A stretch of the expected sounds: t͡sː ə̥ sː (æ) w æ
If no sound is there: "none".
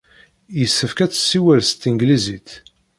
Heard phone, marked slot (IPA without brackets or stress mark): i